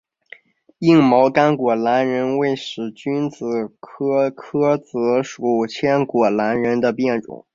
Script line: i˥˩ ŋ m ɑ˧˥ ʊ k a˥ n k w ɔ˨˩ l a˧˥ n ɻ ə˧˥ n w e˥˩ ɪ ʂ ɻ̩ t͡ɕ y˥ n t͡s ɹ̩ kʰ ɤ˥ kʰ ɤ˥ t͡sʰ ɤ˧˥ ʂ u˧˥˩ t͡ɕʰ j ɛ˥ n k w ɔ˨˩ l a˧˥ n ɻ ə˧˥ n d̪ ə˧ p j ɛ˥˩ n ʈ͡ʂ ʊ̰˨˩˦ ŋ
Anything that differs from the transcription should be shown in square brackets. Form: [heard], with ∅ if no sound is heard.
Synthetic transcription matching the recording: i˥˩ ŋ m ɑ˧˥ ʊ k a˥ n k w ɔ˨˩ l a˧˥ n ɻ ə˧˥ n w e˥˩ ɪ ʂ ɻ̩ t͡ɕ y˥ n t͡s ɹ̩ kʰ ɤ˥ kʰ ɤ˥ [t͡s] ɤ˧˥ ʂ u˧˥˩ t͡ɕʰ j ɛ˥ n k w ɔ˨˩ l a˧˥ n ɻ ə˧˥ n d̪ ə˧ p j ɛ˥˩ n ʈ͡ʂ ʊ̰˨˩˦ ŋ

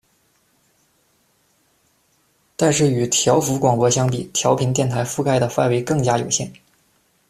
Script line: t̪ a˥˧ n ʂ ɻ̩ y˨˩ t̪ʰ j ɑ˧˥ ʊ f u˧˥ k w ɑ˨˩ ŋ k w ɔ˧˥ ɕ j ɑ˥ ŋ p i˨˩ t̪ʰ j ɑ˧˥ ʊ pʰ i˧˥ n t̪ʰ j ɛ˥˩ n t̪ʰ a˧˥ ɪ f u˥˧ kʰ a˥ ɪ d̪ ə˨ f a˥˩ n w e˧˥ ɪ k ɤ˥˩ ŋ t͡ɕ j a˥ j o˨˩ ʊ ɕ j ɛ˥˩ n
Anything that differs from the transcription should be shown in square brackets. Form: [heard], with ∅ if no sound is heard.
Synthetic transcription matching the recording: t̪ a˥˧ n ʂ ɻ̩ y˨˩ t̪ʰ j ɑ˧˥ ʊ f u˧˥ k w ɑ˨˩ ŋ [p] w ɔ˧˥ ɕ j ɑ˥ ŋ p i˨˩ t̪ʰ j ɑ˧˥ ʊ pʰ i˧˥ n [t̪] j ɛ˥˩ n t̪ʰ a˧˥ ɪ f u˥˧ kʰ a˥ ɪ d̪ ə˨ f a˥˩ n w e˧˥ ɪ k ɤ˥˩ ŋ t͡ɕ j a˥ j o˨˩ ʊ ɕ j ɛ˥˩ n

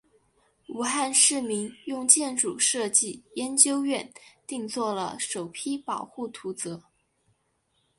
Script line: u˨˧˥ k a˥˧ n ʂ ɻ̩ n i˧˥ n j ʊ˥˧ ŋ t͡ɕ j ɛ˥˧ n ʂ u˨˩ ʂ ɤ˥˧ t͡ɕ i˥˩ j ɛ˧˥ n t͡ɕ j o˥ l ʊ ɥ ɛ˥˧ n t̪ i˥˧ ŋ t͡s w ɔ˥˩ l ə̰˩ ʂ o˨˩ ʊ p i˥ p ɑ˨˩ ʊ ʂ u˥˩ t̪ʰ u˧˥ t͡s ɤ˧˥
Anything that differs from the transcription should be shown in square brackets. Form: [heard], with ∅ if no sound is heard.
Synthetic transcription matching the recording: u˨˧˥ [x] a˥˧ n ʂ ɻ̩ [m] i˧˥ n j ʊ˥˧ ŋ t͡ɕ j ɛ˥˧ n [ʈ͡ʂ] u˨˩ ʂ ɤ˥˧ t͡ɕ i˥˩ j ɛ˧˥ n t͡ɕ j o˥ [∅] ʊ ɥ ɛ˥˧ n t̪ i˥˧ ŋ t͡s w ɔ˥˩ l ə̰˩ ʂ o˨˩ ʊ [pʰ] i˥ p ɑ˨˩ ʊ [x] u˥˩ t̪ʰ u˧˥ t͡s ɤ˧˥

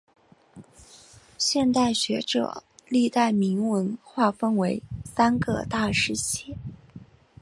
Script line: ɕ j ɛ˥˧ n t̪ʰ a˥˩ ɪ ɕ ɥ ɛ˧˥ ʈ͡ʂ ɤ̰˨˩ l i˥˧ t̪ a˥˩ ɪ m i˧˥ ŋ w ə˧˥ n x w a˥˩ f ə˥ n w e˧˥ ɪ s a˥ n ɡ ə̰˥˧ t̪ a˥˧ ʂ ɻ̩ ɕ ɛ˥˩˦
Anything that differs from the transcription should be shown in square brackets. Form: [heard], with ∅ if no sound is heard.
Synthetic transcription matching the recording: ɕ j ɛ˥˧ n [t̪] a˥˩ ɪ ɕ ɥ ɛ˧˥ ʈ͡ʂ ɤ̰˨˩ l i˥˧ t̪ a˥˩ ɪ m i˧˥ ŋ w ə˧˥ n x w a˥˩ f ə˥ n w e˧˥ ɪ s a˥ n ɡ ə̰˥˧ t̪ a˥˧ ʂ ɻ̩ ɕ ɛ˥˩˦

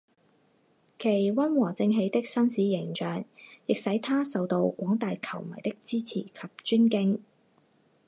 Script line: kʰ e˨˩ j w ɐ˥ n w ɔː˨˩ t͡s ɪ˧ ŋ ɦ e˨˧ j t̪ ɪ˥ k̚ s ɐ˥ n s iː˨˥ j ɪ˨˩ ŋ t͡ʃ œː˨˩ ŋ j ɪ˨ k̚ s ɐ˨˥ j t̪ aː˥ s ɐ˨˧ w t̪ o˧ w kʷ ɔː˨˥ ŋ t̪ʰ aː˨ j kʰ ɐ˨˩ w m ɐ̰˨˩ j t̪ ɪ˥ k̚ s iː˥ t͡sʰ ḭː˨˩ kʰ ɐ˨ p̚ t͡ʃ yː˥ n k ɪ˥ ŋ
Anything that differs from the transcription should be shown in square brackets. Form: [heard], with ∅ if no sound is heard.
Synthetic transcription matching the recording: kʰ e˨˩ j w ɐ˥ n w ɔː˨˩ t͡s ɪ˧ ŋ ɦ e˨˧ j t̪ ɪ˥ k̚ s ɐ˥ n s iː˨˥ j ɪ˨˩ ŋ t͡ʃ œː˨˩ ŋ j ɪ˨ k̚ s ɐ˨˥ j [t̪ʰ] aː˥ s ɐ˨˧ w t̪ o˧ w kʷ ɔː˨˥ ŋ [t̪] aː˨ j kʰ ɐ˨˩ w m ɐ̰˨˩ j t̪ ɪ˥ k̚ [t͡s] iː˥ t͡sʰ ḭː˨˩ kʰ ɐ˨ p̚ t͡ʃ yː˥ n k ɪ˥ ŋ

